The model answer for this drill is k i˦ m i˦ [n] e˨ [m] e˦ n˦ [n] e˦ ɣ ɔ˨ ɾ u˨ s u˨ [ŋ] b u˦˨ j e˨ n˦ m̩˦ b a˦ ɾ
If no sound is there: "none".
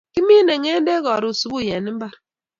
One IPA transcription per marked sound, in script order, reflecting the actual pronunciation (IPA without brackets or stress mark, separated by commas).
n, ŋ, d, none